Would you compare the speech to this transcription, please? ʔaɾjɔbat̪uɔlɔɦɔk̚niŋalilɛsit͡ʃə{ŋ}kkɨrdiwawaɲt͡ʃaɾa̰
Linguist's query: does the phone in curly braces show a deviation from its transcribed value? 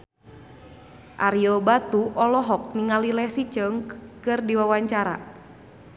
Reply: no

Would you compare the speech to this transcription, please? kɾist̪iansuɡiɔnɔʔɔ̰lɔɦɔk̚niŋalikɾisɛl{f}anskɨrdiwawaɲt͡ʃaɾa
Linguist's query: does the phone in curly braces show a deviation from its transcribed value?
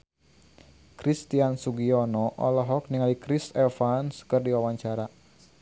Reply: no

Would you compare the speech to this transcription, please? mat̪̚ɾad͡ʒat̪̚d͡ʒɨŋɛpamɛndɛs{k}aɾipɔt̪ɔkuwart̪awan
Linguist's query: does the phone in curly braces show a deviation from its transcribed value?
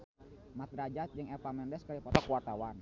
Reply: no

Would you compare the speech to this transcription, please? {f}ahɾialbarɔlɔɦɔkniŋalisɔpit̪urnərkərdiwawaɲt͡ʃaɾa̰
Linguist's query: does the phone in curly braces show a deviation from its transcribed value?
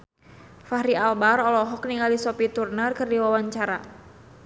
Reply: no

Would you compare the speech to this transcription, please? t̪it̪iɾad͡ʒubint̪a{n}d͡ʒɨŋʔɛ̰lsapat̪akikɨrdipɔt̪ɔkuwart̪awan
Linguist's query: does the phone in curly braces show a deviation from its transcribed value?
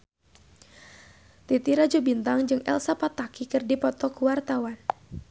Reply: yes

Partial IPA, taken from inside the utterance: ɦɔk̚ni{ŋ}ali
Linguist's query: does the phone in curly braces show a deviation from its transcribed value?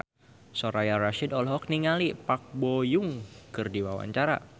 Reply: no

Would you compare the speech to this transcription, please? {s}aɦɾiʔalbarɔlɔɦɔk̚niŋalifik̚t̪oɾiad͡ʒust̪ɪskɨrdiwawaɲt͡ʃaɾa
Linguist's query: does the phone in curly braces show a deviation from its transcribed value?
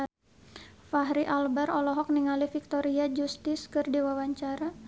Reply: yes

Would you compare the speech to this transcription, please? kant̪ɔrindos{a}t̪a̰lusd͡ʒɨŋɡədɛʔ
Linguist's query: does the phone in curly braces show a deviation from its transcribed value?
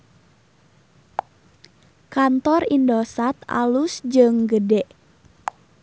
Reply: no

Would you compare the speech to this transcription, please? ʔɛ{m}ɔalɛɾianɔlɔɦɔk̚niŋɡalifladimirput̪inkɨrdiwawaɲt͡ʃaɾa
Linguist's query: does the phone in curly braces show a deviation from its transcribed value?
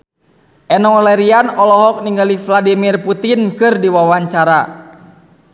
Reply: yes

